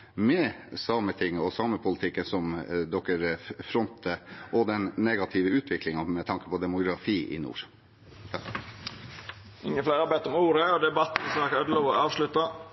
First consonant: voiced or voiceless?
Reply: voiced